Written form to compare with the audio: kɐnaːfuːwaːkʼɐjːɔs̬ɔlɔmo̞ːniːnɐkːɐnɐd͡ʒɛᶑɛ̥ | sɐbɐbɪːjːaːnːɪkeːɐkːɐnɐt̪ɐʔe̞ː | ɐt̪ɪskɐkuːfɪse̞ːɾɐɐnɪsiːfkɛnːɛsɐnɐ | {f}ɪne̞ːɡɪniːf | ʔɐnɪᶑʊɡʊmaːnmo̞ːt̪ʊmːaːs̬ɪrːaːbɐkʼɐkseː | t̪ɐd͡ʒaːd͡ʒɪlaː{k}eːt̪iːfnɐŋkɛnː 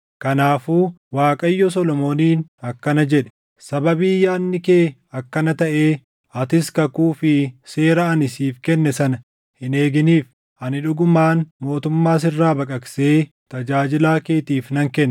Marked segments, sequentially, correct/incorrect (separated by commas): incorrect, correct